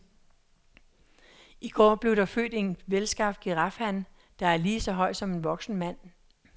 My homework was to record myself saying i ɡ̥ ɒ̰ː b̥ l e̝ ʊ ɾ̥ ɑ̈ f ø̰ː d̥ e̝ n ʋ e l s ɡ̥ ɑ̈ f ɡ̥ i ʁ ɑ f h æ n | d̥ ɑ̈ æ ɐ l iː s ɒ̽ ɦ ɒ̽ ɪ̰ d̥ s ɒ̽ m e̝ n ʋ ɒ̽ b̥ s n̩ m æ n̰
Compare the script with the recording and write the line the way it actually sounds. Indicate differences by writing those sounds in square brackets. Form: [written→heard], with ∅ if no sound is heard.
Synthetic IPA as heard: i ɡ̥ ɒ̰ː b̥ l e̝ ʊ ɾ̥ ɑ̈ f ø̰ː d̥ e̝ n ʋ e l s ɡ̥ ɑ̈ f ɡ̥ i ʁ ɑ f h æ n | d̥ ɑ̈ æ ɐ l iː s ɒ̽ ɦ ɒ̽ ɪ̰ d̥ s ɒ̽ m e̝ n ʋ ɒ̽ [b̥→ɡ̥] s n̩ m æ n̰